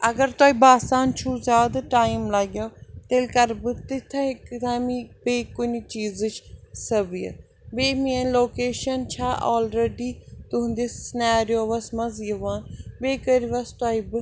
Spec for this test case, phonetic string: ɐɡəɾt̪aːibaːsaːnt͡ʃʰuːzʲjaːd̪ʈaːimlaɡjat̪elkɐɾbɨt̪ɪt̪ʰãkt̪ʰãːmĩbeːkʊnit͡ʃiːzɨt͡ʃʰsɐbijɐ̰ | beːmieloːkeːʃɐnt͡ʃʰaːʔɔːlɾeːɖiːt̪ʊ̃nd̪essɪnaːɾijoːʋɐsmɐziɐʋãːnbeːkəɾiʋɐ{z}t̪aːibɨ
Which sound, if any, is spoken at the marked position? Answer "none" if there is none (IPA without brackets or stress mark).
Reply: s